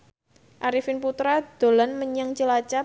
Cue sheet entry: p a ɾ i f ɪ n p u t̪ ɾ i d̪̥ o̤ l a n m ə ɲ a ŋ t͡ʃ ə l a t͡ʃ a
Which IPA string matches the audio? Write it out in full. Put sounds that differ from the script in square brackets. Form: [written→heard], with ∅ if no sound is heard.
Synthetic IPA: [p→ʔ] a ɾ i f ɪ n p u t̪ ɾ [i→a] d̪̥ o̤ l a n m ə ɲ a ŋ t͡ʃ ə l a t͡ʃ a